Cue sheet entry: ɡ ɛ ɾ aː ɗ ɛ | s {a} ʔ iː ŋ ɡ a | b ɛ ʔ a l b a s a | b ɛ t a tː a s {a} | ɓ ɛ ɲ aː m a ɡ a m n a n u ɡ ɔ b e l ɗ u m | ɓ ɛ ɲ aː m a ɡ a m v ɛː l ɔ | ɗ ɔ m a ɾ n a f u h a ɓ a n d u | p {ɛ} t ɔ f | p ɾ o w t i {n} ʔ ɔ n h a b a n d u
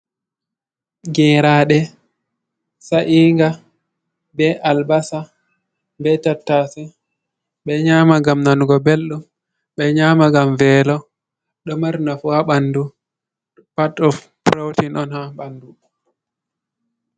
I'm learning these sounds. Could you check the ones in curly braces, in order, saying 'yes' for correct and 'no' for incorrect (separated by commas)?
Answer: yes, no, no, yes